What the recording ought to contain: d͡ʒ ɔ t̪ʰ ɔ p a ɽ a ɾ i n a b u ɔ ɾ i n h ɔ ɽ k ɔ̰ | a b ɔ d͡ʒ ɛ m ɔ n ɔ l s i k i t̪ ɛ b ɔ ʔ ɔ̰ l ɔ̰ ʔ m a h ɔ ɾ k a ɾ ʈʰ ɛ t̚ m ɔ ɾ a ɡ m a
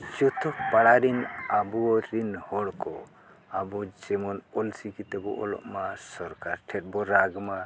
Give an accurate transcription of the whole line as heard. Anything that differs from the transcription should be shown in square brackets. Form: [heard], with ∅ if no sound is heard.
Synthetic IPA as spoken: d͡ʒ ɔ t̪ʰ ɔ p a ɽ a ɾ i n a b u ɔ ɾ i n h ɔ ɽ k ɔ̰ | a b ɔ d͡ʒ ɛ m ɔ n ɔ l s i k i t̪ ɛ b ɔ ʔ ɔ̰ l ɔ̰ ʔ m a [s] ɔ ɾ k a ɾ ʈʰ ɛ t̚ [b] ɔ ɾ a ɡ m a

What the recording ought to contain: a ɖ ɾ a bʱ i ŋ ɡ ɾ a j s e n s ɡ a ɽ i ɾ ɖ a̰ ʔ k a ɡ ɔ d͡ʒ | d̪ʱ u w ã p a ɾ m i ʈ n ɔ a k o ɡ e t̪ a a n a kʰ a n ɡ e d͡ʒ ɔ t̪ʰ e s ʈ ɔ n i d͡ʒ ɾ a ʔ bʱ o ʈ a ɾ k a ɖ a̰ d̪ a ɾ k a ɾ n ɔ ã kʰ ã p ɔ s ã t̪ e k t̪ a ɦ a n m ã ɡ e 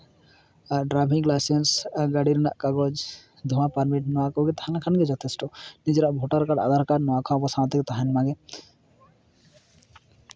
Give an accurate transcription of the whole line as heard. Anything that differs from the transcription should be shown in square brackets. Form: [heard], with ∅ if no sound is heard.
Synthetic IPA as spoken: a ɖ ɾ a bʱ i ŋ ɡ [l] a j s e n s ɡ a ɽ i ɾ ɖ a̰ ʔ k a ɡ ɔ d͡ʒ | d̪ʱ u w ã p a ɾ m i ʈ n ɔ a k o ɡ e t̪ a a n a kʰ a n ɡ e d͡ʒ ɔ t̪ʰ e s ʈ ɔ n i d͡ʒ ɾ a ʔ bʱ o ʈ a ɾ k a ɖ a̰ d̪ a ɾ k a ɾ n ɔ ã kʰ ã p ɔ s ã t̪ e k t̪ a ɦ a n m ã ɡ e

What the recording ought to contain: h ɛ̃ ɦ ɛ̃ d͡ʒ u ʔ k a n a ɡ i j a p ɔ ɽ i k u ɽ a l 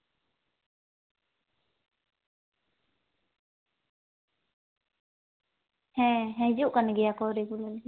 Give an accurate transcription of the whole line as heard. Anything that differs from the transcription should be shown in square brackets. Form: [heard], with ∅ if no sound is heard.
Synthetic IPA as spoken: h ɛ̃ ɦ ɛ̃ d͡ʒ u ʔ k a n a ɡ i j a [k] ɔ [ɾ] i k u [l] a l

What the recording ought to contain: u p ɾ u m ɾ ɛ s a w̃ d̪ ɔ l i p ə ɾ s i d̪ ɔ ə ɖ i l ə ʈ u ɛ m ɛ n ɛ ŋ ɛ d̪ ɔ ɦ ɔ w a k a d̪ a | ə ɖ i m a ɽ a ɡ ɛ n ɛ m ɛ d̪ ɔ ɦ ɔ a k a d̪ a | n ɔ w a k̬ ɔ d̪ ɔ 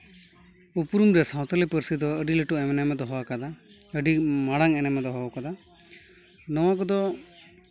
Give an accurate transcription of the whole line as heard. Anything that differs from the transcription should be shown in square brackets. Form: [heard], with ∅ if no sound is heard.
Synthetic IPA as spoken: u p ɾ u m ɾ ɛ s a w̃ [t̪] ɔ l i p ə ɾ s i d̪ ɔ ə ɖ i l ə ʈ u ɛ m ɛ n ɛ [m] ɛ d̪ ɔ ɦ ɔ w a k a d̪ a | ə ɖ i m a ɽ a [ŋ] ɛ n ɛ m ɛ d̪ ɔ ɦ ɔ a k a d̪ a | n ɔ w a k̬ ɔ d̪ ɔ

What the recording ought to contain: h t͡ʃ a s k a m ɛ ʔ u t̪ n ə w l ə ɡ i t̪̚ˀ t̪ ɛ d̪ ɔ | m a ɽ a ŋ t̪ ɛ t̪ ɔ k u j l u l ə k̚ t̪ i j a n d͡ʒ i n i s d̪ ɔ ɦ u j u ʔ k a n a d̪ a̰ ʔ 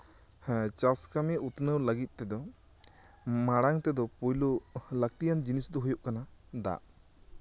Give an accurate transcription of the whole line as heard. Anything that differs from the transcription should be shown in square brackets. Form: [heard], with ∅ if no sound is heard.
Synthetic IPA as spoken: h t͡ʃ a s k a m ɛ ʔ u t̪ n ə w l ə ɡ i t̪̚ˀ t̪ ɛ d̪ ɔ | m a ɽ a ŋ t̪ ɛ [d̪] ɔ [p] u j l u l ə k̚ t̪ i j a n d͡ʒ i n i s d̪ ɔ ɦ u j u ʔ k a n a d̪ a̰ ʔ

